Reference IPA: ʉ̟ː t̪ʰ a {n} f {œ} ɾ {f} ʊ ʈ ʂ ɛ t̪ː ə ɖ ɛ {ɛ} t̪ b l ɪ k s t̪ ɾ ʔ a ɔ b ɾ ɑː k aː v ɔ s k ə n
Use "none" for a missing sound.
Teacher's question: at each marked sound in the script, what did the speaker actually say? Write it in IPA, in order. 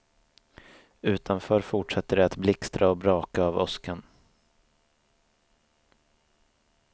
n, œː, f, a

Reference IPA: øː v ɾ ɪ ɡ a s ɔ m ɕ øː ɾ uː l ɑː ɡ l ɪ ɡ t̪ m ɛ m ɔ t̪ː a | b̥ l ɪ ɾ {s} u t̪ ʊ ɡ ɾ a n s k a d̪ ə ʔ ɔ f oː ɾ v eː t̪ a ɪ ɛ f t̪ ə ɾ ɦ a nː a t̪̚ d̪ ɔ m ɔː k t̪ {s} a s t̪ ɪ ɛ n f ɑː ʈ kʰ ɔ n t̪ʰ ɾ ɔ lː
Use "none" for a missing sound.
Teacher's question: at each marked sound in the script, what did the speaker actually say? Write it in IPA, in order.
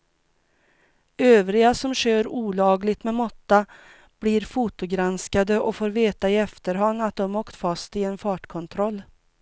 f, f

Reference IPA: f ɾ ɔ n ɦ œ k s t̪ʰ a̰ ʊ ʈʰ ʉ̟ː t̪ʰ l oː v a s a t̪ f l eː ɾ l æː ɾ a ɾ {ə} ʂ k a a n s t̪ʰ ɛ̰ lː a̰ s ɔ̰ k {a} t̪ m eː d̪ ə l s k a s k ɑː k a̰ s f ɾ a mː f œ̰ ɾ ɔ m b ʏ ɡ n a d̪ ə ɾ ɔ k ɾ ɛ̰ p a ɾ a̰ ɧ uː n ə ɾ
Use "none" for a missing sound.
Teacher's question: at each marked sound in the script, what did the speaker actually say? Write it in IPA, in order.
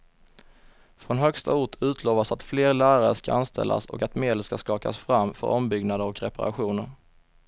ə, a

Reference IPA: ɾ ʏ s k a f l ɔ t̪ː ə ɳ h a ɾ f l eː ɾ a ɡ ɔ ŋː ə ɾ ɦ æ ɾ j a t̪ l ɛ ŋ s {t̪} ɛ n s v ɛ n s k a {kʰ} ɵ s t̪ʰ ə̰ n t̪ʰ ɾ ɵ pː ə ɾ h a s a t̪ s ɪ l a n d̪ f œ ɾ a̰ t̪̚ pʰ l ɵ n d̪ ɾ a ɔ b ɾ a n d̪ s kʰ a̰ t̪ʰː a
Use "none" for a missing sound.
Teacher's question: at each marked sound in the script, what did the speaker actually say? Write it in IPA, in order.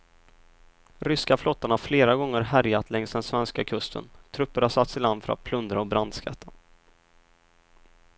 d̪, kʰ

